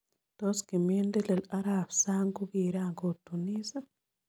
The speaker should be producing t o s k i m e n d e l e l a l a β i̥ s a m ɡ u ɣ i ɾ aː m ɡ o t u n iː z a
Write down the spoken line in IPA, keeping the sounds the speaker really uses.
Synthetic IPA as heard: t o s k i m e n d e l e l a ɾ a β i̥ s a ŋ ɡ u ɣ i ɾ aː ŋ ɡ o t u n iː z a